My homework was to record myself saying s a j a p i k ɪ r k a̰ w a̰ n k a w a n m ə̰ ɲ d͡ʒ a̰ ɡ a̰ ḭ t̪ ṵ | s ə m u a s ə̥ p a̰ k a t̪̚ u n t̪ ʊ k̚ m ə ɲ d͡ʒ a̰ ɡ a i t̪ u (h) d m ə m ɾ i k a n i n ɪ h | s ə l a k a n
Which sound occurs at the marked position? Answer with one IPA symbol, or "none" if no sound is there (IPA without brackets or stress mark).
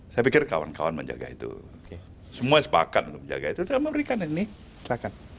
none